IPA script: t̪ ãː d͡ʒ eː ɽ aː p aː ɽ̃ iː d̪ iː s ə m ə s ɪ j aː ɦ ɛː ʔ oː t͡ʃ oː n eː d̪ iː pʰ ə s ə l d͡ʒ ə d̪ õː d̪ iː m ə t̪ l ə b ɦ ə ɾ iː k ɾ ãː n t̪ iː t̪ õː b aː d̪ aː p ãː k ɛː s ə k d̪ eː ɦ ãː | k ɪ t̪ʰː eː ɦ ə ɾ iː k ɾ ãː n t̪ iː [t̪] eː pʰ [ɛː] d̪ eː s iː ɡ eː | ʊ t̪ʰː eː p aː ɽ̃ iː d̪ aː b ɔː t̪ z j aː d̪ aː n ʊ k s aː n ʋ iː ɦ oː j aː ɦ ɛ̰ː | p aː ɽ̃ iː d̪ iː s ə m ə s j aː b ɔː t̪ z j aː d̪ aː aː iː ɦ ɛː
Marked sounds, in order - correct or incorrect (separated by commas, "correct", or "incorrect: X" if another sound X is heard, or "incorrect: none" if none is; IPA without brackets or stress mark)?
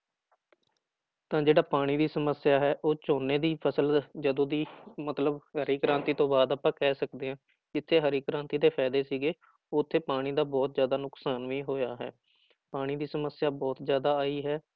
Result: incorrect: d̪, correct